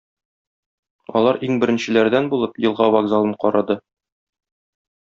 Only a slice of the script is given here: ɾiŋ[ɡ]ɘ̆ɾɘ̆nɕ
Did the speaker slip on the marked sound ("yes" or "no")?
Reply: yes